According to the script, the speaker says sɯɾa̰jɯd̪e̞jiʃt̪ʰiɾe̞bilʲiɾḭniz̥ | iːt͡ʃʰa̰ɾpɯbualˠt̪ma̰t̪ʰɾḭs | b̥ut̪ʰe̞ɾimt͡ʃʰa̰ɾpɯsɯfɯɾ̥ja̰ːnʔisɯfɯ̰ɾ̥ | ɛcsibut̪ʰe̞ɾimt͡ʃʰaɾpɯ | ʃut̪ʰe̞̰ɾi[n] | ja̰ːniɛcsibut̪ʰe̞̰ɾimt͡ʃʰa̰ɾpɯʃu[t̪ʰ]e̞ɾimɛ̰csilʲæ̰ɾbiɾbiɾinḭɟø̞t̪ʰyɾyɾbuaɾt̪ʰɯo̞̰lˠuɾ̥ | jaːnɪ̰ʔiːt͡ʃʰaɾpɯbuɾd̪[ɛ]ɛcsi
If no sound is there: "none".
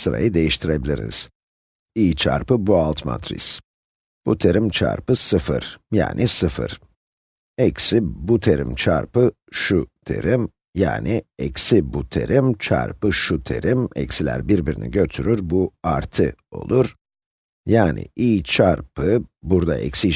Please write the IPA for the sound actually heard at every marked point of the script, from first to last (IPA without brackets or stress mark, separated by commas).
m, t̪ʰ, a